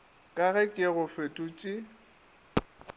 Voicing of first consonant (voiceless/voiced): voiceless